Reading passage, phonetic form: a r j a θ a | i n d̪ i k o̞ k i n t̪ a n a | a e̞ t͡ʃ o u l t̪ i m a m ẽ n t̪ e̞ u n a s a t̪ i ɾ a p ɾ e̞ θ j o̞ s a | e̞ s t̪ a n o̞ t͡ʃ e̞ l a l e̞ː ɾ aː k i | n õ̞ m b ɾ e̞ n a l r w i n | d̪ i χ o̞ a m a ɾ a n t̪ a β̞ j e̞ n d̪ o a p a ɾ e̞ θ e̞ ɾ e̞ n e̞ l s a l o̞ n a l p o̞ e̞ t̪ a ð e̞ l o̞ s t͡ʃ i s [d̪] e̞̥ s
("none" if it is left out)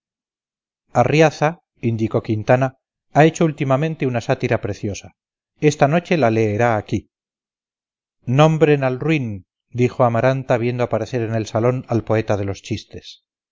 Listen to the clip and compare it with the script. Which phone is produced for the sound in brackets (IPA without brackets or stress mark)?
t̪